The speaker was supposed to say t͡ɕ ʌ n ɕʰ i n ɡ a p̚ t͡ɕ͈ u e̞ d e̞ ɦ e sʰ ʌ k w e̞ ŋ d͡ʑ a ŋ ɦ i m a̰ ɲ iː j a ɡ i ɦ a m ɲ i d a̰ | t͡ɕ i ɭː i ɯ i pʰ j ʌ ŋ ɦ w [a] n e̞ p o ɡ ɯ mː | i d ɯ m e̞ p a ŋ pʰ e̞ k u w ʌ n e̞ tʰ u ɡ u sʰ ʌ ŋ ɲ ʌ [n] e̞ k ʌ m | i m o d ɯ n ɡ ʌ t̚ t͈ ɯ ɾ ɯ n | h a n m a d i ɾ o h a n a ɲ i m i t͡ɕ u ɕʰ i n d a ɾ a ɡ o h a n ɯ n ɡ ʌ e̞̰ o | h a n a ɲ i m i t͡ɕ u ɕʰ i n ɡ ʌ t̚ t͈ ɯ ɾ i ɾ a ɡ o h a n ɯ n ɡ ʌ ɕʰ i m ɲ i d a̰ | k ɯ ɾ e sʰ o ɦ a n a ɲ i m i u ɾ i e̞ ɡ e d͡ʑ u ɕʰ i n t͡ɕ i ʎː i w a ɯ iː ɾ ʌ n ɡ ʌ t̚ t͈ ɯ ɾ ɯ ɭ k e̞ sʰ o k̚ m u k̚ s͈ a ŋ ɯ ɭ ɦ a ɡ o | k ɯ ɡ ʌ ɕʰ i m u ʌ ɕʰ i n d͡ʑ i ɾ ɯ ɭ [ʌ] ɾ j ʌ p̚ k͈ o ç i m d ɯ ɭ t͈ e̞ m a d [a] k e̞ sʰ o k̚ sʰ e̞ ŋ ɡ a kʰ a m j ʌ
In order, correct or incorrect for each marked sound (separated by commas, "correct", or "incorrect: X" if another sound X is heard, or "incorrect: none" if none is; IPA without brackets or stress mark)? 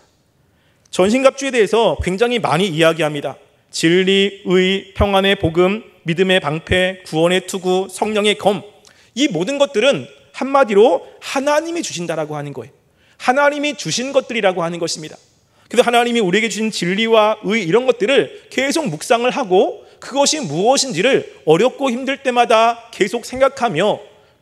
correct, incorrect: ŋ, correct, correct